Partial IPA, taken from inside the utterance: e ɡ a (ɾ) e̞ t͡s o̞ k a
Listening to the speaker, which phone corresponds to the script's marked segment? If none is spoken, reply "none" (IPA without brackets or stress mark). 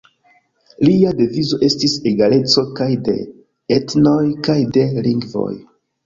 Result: l